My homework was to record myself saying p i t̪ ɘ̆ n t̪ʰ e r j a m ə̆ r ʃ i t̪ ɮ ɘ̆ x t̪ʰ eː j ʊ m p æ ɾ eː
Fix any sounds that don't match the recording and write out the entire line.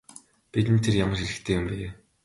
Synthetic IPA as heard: p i t̪ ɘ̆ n t̪ʰ e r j a m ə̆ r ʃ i ɮ ɘ̆ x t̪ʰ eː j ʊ m p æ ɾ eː